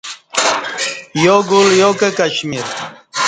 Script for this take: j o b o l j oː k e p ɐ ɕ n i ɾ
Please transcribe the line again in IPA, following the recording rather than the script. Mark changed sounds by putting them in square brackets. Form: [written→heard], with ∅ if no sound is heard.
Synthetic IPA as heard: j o [b→ɡ] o l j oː k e [p→k] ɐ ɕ [n→m] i ɾ